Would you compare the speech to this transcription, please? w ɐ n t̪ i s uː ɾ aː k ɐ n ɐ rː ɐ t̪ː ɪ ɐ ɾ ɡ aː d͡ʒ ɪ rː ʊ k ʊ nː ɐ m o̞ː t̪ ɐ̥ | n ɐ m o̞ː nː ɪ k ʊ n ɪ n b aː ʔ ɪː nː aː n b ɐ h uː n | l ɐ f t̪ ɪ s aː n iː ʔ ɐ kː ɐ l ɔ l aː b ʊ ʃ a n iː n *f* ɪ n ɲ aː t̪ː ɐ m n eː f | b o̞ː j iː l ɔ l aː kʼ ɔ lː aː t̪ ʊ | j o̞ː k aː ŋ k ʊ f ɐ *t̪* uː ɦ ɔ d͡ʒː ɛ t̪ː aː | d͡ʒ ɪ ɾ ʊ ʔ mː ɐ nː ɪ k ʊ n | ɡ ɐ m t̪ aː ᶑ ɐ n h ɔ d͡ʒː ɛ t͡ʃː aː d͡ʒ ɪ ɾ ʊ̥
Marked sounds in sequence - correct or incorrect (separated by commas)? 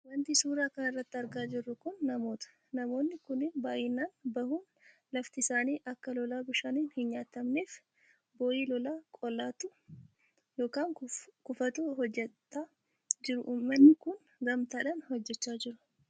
incorrect, correct